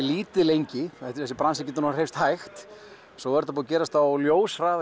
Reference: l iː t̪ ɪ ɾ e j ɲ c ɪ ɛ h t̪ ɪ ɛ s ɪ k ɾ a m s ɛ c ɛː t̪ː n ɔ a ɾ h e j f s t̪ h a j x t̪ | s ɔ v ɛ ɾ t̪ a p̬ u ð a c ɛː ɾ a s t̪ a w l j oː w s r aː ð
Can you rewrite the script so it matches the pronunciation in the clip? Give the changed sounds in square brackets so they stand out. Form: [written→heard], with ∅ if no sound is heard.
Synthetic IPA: l iː t̪ ɪ [ɾ→l] e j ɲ c ɪ ɛ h t̪ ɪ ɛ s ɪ [k→p] ɾ a [m→n] s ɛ c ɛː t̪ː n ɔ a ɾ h e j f s t̪ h a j x t̪ | s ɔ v ɛ ɾ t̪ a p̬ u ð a c ɛː ɾ a s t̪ a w l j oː w s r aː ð